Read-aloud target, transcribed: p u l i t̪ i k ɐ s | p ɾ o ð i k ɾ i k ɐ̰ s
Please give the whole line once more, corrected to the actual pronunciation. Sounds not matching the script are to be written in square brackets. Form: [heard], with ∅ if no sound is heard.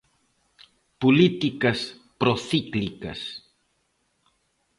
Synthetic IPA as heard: p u l i t̪ i k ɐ s | p ɾ o [θ] i k [l] i k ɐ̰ s

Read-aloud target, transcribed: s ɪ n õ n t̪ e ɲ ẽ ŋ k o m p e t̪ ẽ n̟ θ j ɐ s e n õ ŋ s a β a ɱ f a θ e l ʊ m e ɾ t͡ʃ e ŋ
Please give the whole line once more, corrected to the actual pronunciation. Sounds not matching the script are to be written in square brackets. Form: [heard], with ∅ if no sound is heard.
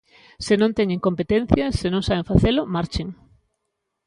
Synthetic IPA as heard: s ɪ n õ n t̪ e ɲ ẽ ŋ k o m p e t̪ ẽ n̟ θ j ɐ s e n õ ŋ s a β [e] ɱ f a θ e l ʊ m [a] ɾ t͡ʃ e ŋ

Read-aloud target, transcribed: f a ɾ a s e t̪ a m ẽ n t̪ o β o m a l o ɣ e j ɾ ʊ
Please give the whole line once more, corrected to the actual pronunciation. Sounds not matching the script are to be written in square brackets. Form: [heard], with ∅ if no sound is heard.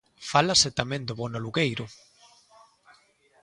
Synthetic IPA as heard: f a [l] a s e t̪ a m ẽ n [d̪] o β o [n] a l [u] ɣ e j ɾ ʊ

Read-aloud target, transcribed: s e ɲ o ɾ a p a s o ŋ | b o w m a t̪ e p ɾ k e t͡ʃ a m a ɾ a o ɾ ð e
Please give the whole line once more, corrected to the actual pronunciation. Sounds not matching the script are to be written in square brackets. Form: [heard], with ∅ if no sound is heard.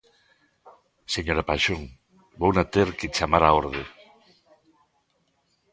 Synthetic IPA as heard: s e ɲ o ɾ a p a [ʃ] o ŋ | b o w [n] a t̪ e [∅] ɾ k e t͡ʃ a m a ɾ a o ɾ ð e

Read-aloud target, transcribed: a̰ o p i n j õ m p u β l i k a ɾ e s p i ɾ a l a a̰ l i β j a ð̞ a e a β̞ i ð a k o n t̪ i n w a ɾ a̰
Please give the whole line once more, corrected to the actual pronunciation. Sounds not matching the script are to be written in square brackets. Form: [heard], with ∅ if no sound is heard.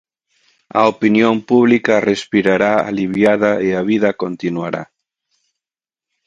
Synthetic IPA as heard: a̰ o p i n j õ m p u β l i k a [r] e s p i ɾ a [ɾ] a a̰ l i β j a ð̞ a e a β̞ i ð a k o n t̪ i n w a ɾ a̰

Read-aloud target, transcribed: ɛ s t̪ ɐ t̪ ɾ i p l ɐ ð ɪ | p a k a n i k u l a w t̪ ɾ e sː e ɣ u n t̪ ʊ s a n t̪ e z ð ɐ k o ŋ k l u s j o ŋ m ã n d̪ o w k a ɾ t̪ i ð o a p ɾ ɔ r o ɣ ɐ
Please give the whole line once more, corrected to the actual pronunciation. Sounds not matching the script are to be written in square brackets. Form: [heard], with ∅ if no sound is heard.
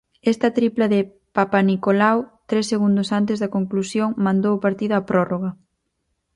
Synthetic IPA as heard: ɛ s t̪ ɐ t̪ ɾ i p l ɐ ð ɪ | p a [p] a n i k [o] l a w t̪ ɾ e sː e ɣ u n [d̪] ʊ s a n t̪ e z ð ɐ k o ŋ k l u s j o ŋ m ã n d̪ o w [p] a ɾ t̪ i ð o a p ɾ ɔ r o ɣ ɐ

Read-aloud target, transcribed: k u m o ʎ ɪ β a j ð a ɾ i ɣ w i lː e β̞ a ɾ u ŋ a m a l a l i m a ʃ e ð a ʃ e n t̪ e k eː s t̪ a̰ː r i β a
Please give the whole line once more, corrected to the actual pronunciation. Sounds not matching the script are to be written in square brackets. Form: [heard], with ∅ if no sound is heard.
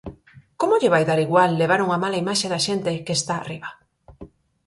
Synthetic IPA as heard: k [o] m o ʎ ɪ β a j ð a ɾ i ɣ w [a] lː e β̞ a ɾ u ŋ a m a l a [∅] i m a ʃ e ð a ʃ e n t̪ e k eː s t̪ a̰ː r i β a

